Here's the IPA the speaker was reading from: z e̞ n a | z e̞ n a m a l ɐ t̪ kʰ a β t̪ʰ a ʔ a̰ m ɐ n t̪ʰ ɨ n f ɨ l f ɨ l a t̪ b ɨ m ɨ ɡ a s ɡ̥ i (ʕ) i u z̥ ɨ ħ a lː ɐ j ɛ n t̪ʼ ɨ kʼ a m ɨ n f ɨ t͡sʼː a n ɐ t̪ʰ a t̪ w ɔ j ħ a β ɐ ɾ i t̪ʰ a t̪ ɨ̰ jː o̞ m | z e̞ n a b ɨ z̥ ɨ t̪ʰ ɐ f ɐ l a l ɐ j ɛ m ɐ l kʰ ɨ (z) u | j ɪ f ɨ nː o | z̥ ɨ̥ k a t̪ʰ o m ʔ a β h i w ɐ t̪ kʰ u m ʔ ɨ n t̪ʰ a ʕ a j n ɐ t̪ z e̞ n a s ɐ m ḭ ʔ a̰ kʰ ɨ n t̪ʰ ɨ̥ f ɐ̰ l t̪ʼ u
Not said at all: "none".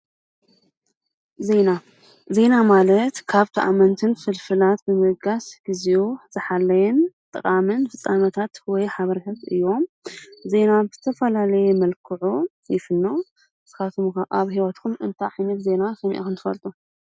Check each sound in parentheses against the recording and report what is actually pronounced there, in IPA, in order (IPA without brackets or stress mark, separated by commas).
z, ʕ